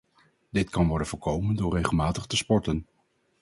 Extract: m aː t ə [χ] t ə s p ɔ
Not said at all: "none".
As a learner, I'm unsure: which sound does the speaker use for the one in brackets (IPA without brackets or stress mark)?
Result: χ